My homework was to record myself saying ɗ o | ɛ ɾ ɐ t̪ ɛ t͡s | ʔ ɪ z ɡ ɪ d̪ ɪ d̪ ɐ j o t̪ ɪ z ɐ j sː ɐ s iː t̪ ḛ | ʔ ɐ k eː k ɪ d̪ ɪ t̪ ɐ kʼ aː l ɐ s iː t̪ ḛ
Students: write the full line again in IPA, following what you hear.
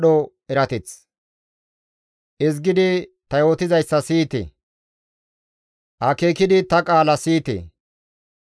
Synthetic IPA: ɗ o | ɛ ɾ ɐ t̪ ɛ t͡s | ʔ ɪ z ɡ ɪ d̪ ɪ t̪ ɐ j o t̪ ɪ z ɐ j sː ɐ s iː t̪ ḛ | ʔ ɐ k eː k ɪ d̪ ɪ t̪ ɐ kʼ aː l ɐ s iː t̪ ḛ

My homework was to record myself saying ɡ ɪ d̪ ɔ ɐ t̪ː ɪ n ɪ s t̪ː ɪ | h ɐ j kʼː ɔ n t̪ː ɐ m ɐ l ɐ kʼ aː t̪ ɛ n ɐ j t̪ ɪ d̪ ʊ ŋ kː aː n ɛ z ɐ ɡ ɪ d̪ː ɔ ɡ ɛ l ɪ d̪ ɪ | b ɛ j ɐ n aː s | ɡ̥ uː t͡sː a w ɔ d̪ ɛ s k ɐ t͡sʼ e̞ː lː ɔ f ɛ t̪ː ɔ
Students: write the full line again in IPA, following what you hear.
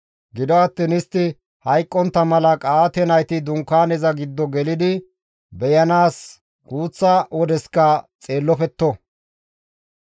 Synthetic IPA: ɡ ɪ d̪ ɔ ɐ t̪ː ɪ n ɪ s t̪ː ɪ | h ɐ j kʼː ɔ n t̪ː ɐ m ɐ l ɐ kʼ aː t̪ ɛ n ɐ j t̪ ɪ d̪ ʊ ŋ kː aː n ɛ z ɐ ɡ ɪ d̪ː ɔ ɡ ɛ l ɪ d̪ ɪ | b ɛ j ɐ n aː s | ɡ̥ uː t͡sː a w ɔ d̪ ɛ s k ɐ t͡sʼ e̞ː lː ɔ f ɛ t̪ː ɔ

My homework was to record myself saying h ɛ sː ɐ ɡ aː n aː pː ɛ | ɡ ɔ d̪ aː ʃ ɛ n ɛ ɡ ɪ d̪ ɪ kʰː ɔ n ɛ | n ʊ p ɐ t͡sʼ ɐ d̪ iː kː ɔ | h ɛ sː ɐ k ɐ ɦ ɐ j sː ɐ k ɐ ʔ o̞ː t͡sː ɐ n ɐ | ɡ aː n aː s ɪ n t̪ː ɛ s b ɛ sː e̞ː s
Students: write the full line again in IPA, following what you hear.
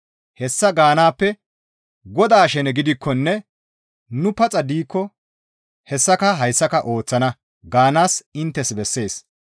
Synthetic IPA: h ɛ sː ɐ ɡ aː n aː pː ɛ | ɡ ɔ d̪ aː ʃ ɛ n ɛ ɡ ɪ d̪ ɪ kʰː ɔ nː ɛ | n ʊ p ɐ t͡sʼ ɐ d̪ iː kː ɔ | h ɛ sː ɐ k ɐ ɦ ɐ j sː ɐ k ɐ ʔ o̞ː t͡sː ɐ n ɐ | ɡ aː n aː s ɪ n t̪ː ɛ s b ɛ sː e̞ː s

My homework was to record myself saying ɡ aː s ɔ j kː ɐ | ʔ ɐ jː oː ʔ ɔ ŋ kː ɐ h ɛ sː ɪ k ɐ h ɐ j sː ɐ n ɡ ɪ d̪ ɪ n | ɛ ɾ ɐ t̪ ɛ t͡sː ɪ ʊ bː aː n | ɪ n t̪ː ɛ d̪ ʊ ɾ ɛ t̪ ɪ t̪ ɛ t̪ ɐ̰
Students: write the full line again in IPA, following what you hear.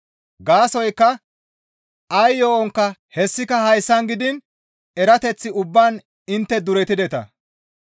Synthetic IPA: ɡ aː s ɔ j kː ɐ | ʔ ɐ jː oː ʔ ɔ ŋ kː ɐ h ɛ sː ɪ k ɐ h ɐ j sː ɐ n ɡ ɪ d̪ ɪ n | ɛ ɾ ɐ t̪ ɛ t͡sː ɪ ʊ bː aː n | ɪ n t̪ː ɛ d̪ ʊ ɾ ɛ t̪ ɪ d̪ ɛ t̪ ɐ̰

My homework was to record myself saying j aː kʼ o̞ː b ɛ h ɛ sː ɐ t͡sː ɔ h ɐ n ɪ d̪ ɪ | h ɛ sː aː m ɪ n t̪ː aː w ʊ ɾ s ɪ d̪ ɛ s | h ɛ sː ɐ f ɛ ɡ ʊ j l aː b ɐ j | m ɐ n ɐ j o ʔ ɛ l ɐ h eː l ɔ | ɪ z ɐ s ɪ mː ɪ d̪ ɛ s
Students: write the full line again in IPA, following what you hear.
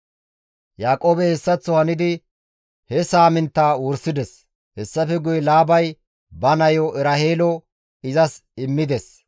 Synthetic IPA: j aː kʼ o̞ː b ɛ h ɛ sː ɐ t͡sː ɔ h ɐ n ɪ d̪ ɪ | h ɛ s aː m ɪ n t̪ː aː w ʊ ɾ s ɪ d̪ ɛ s | h ɛ sː ɐ f ɛ ɡ ʊ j l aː b ɐ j | b ɐ n ɐ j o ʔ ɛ ɾ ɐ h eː l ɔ | ɪ z ɐ s ɪ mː ɪ d̪ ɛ s

